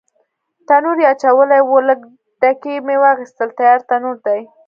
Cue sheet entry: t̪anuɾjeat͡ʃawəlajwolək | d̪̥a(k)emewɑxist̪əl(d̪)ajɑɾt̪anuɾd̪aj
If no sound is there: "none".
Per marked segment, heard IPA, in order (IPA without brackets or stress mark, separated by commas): k, t̪